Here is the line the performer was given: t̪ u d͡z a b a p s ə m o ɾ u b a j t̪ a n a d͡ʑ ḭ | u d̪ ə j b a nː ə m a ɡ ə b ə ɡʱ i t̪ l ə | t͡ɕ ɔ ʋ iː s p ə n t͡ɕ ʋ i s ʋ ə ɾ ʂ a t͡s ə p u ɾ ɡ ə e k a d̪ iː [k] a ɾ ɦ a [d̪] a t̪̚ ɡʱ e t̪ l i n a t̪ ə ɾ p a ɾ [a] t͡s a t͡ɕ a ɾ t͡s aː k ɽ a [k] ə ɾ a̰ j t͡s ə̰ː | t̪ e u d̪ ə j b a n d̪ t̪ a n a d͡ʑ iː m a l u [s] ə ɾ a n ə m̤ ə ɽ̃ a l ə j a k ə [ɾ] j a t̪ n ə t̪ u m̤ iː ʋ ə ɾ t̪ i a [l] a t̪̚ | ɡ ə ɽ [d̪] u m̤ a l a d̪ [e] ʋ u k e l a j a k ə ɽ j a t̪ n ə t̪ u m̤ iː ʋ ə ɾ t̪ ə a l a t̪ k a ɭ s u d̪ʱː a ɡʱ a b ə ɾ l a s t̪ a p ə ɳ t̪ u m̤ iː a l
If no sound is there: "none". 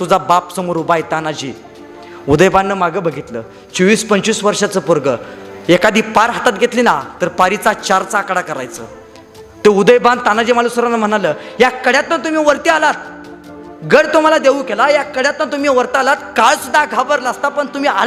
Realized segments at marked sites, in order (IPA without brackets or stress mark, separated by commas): p, t̪, i, k, s, ɽ, l, t̪, e